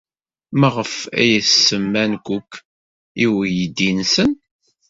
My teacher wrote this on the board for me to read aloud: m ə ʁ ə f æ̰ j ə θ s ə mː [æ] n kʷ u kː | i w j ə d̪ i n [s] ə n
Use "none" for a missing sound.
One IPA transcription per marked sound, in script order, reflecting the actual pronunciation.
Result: æ, s

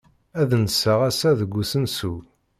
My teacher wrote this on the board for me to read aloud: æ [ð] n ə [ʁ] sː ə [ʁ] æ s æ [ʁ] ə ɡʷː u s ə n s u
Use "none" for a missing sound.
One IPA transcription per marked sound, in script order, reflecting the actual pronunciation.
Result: ð, none, ʁ, ð

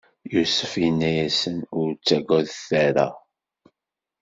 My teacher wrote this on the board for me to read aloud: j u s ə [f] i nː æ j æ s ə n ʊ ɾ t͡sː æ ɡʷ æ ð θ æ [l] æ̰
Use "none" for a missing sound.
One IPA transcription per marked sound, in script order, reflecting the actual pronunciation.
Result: f, ɾ

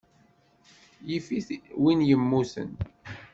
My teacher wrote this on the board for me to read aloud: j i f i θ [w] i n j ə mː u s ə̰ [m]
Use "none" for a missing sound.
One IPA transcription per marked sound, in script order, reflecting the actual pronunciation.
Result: w, n

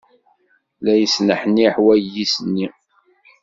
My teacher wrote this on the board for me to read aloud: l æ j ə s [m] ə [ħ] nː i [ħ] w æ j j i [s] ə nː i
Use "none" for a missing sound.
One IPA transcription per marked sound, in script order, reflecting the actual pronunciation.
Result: n, ħ, ħ, s

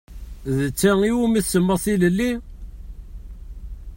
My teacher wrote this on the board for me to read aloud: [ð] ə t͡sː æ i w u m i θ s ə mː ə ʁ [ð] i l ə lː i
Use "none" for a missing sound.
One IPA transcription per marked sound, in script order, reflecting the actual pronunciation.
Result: ð, θ

